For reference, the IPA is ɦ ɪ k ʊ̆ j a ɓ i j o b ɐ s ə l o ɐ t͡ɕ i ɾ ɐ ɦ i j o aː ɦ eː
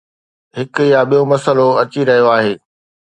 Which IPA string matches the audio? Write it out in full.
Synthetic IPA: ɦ ɪ k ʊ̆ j a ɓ i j o m ɐ s ə l o ɐ t͡ɕ i ɾ ɐ ɦ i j o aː ɦ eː

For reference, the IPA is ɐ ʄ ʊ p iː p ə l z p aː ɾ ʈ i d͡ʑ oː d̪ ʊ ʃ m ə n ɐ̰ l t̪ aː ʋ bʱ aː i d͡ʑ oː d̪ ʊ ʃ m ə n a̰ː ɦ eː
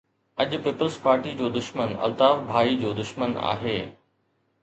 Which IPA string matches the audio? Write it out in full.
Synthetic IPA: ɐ ʄ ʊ p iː p ə l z p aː ɾ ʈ i d͡ʑ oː d̪ ʊ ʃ m ə n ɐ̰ l t̪ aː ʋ bʱ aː i d͡ʑ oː d̪ ʊ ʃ m ə n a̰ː ɦ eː

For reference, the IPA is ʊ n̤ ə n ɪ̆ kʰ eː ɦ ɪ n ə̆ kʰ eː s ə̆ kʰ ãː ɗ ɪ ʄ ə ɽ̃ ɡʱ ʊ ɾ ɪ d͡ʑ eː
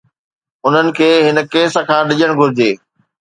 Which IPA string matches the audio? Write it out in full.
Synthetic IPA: ʊ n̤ ə n ɪ̆ kʰ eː ɦ ɪ n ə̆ k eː s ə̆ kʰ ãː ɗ ɪ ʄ ə ɽ̃ ɡʱ ʊ ɾ ɪ d͡ʑ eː

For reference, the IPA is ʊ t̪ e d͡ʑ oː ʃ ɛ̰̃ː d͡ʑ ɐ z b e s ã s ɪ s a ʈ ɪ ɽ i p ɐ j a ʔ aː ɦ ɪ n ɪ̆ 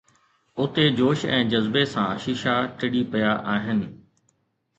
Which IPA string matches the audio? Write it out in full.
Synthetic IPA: ʊ t̪ e d͡ʑ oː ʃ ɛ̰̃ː d͡ʑ ɐ z b e s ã ʃ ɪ ʃ a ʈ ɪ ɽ i p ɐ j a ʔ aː ɦ ɪ n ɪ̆

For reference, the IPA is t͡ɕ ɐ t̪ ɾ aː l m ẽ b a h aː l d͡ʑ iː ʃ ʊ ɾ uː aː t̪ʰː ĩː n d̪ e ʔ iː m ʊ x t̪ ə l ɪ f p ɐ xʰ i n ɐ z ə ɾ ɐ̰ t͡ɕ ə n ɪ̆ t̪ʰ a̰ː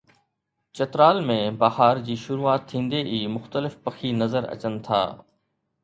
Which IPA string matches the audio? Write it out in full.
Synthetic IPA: t͡ɕ ɐ t̪ ɾ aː l m ẽ b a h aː ɾ d͡ʑ iː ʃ ʊ ɾ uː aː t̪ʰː ĩː n d̪ e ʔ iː m ʊ x t̪ ə l ɪ f p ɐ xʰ i n ɐ z ə ɾ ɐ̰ t͡ɕ ə n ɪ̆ t̪ʰ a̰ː

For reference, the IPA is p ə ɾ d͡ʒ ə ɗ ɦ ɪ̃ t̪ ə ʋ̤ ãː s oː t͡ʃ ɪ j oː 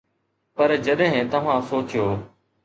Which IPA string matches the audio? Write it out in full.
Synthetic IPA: p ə ɾ d͡ʒ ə ɗ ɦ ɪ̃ t̪ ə ʋ̤ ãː s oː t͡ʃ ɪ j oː

